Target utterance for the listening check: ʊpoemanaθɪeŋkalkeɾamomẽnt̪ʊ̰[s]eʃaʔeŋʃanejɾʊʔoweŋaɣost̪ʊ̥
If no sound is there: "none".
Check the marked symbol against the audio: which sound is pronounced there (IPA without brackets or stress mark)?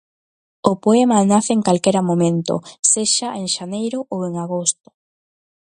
s